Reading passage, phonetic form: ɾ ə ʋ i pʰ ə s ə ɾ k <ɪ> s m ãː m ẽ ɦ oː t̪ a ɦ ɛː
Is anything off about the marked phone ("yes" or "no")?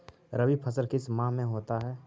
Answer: no